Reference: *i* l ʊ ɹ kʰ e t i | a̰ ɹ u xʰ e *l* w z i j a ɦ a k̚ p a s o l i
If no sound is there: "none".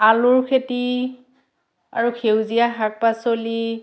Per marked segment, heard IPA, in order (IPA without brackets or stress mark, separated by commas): a, none